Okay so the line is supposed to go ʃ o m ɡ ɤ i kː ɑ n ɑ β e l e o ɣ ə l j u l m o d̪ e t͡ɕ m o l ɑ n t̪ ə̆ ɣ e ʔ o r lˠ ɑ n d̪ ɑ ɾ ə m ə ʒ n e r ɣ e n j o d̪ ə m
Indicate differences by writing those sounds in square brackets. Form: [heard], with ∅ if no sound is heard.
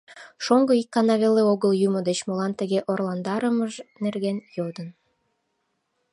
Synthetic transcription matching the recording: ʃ o [ŋ] ɡ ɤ i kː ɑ n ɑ β e l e o ɣ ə l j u [∅] m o d̪ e t͡ɕ m o l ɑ n t̪ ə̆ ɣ e ʔ o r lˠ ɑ n d̪ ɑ ɾ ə m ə ʒ n e r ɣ e n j o d̪ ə [n]

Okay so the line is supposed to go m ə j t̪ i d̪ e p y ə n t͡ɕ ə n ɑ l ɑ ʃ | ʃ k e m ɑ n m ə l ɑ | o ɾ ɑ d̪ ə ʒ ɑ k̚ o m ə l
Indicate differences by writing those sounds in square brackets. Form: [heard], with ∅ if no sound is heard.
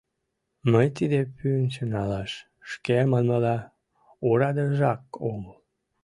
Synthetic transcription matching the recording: m ə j t̪ i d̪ e p y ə n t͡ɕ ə n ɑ l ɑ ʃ | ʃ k e m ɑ n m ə l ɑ | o ɾ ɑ d̪ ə ʒ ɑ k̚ o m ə l

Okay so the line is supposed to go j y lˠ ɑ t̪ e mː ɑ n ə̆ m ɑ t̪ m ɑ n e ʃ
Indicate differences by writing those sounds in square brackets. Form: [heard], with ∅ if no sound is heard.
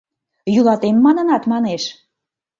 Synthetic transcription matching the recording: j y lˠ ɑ t̪ e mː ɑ n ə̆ [n] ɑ t̪ m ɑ n e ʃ

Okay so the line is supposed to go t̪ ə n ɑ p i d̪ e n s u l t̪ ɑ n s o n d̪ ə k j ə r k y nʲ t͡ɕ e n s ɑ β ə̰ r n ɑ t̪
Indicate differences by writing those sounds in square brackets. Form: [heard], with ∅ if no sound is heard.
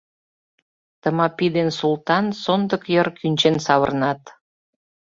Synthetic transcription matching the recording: t̪ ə [m] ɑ p i d̪ e n s u l t̪ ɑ n s o n d̪ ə k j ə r k y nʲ t͡ɕ e n s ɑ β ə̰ r n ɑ t̪

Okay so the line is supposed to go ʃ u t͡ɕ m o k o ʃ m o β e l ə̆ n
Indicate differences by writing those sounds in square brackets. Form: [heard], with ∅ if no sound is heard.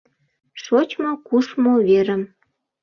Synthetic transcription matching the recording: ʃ [o] t͡ɕ m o k [u] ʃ m o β e [ɾ] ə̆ [m]

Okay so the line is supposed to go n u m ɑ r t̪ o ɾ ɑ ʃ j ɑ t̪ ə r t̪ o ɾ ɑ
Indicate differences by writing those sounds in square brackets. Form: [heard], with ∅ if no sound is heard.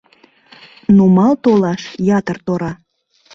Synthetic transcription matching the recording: n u m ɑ [l] t̪ o [l] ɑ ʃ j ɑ t̪ ə r t̪ o ɾ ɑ

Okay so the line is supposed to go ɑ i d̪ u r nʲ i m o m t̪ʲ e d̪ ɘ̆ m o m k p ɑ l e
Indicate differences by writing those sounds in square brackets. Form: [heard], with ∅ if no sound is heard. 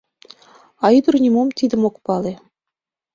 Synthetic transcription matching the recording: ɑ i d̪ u r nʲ i m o m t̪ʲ [i] d̪ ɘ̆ m o [∅] k p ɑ l e

